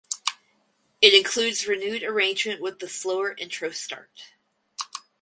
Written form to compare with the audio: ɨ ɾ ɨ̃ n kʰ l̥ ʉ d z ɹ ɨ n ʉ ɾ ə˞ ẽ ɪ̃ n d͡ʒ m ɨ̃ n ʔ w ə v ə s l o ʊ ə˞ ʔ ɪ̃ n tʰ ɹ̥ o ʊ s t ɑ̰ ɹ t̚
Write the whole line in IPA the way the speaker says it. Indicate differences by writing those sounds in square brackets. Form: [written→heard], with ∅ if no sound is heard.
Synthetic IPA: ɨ ɾ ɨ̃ n kʰ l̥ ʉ d z ɹ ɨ n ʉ ɾ ə˞ ẽ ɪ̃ n d͡ʒ m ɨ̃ n ʔ w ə [v→ð] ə s l o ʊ ə˞ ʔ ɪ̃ n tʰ ɹ̥ o ʊ s t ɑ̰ ɹ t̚